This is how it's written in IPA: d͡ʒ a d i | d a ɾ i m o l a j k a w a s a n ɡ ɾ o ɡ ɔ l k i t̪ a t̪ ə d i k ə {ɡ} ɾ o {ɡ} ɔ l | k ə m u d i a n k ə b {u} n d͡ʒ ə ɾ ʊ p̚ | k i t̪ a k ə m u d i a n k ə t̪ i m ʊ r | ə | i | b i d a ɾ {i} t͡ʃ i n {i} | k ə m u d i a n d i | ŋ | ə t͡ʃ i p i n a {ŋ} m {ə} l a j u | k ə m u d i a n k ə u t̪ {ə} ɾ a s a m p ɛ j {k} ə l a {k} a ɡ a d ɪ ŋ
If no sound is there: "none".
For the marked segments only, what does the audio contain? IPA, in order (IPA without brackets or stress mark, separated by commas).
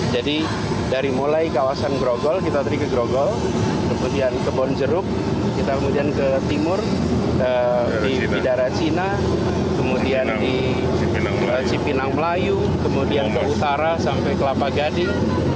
ɡ, ɡ, ɔ, a, a, ŋ, ə, a, k, p